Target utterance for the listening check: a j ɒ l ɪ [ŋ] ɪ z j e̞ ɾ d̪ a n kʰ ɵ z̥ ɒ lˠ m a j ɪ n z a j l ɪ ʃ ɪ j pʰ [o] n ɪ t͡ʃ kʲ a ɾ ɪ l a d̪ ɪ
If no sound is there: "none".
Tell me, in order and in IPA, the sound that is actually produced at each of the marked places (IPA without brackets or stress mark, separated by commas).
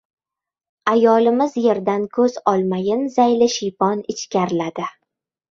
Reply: m, ɒ